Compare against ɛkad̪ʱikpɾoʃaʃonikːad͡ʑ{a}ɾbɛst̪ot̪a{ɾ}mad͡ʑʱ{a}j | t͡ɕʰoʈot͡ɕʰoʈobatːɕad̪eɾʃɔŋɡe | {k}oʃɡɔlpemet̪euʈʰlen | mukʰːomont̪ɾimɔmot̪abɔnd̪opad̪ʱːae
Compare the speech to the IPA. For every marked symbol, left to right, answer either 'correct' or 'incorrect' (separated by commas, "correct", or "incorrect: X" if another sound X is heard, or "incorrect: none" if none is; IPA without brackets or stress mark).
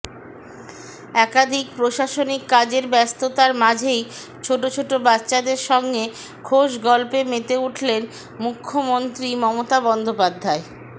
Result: incorrect: e, correct, incorrect: e, incorrect: kʰ